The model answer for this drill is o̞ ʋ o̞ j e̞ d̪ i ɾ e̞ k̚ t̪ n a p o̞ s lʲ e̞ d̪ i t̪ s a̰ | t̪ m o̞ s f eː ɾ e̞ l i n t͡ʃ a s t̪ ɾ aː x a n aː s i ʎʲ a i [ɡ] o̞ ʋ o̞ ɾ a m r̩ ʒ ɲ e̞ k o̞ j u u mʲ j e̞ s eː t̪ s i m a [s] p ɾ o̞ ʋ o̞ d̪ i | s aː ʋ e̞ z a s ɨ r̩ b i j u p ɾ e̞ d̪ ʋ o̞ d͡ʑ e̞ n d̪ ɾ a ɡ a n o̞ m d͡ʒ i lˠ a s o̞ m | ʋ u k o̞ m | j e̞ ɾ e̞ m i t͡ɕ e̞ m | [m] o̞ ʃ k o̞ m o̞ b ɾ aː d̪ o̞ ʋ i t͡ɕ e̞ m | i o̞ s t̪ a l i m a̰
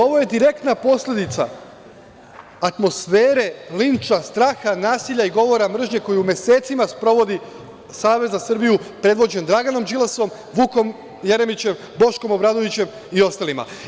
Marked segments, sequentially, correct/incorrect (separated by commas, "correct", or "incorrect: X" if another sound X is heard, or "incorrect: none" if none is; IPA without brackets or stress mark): correct, correct, incorrect: b